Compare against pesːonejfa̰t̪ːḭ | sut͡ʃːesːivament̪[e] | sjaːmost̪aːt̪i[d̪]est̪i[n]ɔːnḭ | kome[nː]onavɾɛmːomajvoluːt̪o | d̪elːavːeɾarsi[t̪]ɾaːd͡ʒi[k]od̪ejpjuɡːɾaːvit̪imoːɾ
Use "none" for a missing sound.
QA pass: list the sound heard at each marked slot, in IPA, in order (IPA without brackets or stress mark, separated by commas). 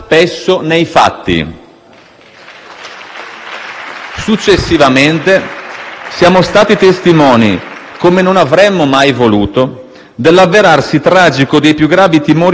e, t̪, m, n, t̪, k